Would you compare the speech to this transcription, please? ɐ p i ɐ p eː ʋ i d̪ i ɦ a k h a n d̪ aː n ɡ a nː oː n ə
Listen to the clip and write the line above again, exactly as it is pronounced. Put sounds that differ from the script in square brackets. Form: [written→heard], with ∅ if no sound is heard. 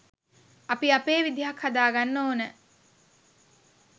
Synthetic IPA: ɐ p i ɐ p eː ʋ i d̪ i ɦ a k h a [n→∅] d̪ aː [n→∅] ɡ a nː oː n ə